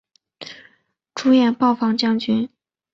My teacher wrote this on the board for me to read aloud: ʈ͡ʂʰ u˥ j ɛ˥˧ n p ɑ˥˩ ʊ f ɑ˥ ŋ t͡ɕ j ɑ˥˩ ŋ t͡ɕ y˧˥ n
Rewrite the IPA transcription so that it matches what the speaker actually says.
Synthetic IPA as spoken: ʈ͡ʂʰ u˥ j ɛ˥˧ n p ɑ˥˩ ʊ f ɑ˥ ŋ t͡ɕ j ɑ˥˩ ŋ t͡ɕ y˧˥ n

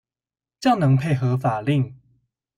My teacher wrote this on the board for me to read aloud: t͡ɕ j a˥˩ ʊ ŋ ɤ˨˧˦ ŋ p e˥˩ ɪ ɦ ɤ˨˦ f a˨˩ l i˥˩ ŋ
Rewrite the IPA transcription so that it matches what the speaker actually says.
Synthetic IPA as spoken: t͡ɕ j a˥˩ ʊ n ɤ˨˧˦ ŋ pʰ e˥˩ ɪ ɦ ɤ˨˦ f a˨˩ l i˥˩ ŋ

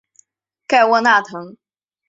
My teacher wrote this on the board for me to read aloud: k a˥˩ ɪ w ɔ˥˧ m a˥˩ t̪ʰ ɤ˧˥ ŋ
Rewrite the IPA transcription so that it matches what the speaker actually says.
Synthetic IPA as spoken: k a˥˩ ɪ w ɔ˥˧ n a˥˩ t̪ʰ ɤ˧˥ ŋ

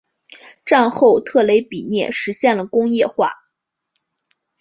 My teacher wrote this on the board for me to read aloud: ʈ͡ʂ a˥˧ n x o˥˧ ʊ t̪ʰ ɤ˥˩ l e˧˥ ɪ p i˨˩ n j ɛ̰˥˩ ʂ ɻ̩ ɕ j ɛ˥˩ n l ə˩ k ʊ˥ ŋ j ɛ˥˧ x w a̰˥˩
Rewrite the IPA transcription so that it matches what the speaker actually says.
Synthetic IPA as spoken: ʈ͡ʂ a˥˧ n x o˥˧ ʊ t̪ʰ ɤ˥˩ l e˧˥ ɪ p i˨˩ n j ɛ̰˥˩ ʂ ɻ̩ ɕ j ɛ˥˩ n l ə˩ k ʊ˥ ŋ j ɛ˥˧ x w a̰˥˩

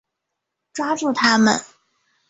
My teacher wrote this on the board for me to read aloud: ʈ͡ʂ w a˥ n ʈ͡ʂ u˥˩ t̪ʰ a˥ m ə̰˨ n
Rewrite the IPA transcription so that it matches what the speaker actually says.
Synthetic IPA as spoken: ʈ͡ʂ w a˥ ʈ͡ʂ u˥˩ t̪ʰ a˥ m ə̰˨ n

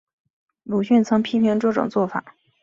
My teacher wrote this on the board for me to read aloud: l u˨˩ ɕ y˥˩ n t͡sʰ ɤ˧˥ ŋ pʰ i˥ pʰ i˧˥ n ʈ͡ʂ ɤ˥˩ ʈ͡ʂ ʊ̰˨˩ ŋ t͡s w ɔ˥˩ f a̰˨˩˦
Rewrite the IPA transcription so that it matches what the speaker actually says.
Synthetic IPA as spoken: l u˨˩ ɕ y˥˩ n t͡sʰ ɤ˧˥ ŋ pʰ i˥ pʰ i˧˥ ŋ ʈ͡ʂ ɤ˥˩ ʈ͡ʂ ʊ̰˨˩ ŋ t͡s w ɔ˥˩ f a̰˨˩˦

